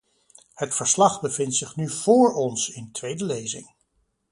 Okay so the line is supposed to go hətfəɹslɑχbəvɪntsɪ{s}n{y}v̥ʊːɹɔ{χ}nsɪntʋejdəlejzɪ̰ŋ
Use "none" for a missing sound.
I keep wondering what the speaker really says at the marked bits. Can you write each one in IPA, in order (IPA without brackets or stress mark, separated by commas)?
χ, y, none